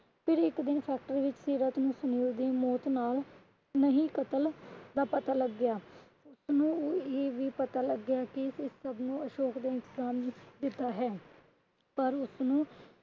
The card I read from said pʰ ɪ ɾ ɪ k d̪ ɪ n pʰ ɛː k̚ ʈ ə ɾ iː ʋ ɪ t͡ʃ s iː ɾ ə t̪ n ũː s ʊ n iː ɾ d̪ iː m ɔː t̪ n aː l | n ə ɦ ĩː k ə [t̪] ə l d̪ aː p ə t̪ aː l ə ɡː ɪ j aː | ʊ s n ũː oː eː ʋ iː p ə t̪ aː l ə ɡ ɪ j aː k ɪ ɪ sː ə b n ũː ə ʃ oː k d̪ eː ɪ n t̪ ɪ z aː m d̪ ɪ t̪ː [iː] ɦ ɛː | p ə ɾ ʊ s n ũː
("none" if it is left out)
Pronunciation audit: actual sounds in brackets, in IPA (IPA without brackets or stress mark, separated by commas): t̪, aː